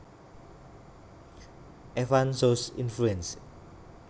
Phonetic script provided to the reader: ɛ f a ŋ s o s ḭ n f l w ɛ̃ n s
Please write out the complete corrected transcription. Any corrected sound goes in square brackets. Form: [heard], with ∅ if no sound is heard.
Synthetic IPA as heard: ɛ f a [n] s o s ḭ n f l [u] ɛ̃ n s